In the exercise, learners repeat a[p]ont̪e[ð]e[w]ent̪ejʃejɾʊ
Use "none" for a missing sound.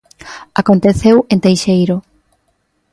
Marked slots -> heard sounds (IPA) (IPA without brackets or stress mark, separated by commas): k, θ, w